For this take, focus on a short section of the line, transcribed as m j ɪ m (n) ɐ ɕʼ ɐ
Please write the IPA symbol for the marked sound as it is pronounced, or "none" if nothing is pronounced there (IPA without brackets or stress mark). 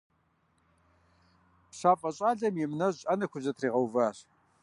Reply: n